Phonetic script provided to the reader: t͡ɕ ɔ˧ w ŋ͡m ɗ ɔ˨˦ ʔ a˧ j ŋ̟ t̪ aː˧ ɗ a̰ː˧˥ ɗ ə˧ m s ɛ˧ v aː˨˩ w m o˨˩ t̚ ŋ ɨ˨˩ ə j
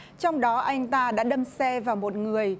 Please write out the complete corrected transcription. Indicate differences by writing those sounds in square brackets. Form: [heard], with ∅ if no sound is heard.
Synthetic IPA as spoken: t͡ɕ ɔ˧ w ŋ͡m ɗ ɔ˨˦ ʔ a˧ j ŋ̟ t̪ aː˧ ɗ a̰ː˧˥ ɗ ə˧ m s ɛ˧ v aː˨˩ w m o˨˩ t̚ ŋ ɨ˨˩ ə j